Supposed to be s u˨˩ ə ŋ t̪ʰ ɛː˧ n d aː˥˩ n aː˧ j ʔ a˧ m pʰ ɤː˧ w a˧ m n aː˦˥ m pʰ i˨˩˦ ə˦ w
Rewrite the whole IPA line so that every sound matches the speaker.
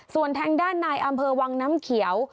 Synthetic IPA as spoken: s u˨˩ ə n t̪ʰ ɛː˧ ŋ d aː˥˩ nː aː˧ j ʔ a˧ m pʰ ɤː˧ w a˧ ŋ n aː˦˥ m kʰ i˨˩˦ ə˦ w